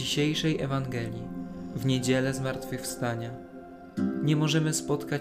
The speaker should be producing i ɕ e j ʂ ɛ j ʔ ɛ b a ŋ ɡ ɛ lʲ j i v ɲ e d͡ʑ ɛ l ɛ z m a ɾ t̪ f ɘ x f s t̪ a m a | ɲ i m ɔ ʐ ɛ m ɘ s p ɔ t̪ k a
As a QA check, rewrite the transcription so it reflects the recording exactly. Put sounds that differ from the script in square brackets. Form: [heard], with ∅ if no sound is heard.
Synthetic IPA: i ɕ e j ʂ ɛ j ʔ ɛ [v] a ŋ ɡ ɛ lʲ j i v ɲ e d͡ʑ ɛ l ɛ z m a ɾ t̪ f ɘ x f s t̪ a [ɲ] a | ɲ [ɛ] m ɔ ʐ ɛ m ɘ s p ɔ t̪ k a